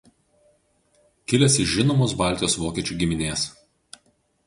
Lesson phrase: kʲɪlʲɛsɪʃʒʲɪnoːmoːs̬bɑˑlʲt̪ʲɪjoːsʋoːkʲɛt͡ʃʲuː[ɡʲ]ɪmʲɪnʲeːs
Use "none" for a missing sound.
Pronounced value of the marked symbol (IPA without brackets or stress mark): ɡʲ